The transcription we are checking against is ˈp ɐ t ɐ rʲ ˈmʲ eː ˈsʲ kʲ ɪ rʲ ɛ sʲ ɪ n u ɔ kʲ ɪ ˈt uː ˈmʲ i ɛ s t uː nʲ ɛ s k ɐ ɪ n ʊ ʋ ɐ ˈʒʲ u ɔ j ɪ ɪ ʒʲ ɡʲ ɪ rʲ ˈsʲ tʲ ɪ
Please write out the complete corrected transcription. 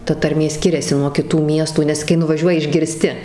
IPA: ˈt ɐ t ɐ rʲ ˈmʲ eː ˈsʲ kʲ ɪ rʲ ɛ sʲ ɪ n u ɔ kʲ ɪ ˈt uː ˈmʲ i ɛ s t uː nʲ ɛ s k ɐ ɪ n ʊ ʋ ɐ ˈʒʲ u ɔ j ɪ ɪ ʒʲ ɡʲ ɪ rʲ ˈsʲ tʲ ɪ